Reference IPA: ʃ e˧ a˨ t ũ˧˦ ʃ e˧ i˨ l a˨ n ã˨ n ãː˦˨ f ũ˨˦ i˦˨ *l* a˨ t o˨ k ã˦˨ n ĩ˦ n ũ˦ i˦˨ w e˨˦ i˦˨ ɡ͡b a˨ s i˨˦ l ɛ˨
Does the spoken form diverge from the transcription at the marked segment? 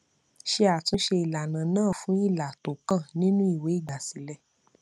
no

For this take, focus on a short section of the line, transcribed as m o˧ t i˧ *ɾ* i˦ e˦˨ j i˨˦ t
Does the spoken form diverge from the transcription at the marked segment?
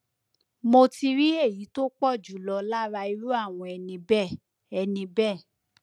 no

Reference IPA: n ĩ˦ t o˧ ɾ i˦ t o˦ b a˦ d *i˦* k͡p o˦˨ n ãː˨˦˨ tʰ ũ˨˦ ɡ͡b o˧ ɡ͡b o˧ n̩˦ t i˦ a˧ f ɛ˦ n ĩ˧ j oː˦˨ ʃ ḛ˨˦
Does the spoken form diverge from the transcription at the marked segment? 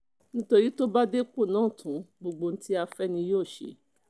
yes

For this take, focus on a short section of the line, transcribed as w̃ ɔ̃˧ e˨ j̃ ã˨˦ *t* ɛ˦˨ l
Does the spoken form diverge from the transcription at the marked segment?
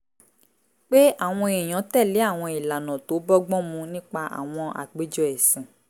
no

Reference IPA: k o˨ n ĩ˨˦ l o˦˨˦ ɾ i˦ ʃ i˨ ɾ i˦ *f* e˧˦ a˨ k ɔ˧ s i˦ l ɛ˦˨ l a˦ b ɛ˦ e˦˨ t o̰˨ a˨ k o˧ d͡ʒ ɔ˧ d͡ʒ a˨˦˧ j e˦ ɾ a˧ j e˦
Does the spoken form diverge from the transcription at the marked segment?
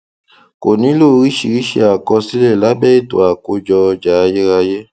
yes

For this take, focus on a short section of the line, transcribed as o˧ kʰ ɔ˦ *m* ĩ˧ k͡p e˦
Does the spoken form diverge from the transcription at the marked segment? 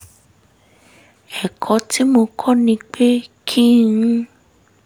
yes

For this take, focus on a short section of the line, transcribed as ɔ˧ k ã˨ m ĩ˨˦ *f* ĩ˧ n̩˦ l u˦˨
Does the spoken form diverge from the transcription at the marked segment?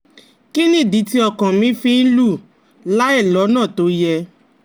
no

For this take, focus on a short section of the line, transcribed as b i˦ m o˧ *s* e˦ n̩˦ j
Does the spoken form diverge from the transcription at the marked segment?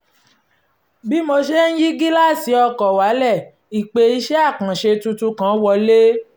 yes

